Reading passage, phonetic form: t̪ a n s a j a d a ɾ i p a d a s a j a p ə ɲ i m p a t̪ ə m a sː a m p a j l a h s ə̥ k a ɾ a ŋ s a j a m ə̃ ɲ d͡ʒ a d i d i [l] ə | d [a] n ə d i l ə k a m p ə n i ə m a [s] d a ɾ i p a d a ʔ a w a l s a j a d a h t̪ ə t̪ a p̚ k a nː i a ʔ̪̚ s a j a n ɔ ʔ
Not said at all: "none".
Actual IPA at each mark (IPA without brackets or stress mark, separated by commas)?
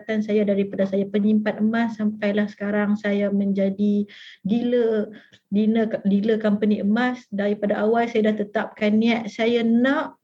l, i, s